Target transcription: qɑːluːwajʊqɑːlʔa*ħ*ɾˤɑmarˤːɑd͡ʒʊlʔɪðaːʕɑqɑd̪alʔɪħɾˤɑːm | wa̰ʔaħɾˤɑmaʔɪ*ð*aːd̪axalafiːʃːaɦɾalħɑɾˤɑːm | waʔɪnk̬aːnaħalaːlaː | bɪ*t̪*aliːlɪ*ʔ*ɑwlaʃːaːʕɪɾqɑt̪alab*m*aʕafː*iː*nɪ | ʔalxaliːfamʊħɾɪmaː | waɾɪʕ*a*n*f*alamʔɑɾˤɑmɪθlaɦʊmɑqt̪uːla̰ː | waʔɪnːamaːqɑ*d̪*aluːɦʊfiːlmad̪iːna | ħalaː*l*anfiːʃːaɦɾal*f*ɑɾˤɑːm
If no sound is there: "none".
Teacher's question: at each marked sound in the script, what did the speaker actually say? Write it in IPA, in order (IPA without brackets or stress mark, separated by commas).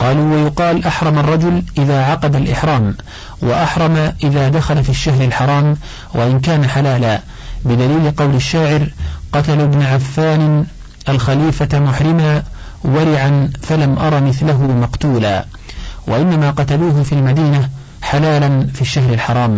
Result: ħ, ð, d̪, q, n, aː, a, f, t̪, l, ħ